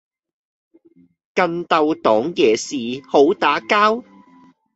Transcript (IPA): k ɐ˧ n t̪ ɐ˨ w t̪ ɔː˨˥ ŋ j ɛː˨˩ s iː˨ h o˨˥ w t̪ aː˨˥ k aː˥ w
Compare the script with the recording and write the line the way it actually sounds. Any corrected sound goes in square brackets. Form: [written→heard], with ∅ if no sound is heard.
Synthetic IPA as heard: k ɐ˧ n t̪ ɐ˨ w t̪ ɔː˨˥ ŋ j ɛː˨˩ s iː˨ h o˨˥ w t̪ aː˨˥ k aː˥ w